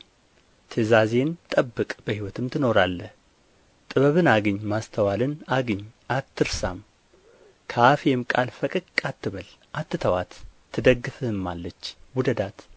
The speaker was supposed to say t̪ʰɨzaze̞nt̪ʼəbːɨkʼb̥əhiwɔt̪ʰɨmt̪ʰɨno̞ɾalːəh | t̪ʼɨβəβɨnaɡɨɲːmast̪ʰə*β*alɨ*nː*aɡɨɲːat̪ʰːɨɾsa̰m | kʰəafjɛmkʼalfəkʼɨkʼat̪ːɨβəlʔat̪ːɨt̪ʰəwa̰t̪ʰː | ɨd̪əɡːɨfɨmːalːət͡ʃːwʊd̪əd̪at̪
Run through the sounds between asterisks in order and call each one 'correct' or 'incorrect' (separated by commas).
incorrect, incorrect